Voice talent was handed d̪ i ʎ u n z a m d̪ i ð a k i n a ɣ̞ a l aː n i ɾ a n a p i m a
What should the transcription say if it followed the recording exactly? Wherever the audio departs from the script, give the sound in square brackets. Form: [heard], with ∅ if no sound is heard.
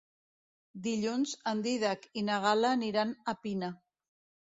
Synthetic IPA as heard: d̪ i ʎ u n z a [n] d̪ i ð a k i n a ɣ̞ a l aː n i ɾ a n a p i [n] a